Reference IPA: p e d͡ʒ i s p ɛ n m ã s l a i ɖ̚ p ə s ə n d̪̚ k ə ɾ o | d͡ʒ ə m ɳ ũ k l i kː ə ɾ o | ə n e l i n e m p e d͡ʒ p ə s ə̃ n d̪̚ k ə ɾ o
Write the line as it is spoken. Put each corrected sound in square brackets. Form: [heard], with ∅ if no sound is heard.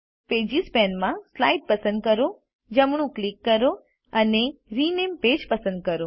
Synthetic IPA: p e d͡ʒ i s p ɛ n m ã s l a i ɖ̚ p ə s ə n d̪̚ k ə ɾ o | d͡ʒ ə m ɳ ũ k l i kː ə ɾ o | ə n e [ɾ] i n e m p e d͡ʒ p ə s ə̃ n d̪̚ k ə ɾ o